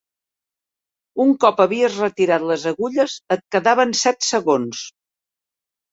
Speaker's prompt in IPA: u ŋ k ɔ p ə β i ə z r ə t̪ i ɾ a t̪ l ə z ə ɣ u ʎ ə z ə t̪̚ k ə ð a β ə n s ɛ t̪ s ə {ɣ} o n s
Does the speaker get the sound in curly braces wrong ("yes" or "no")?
no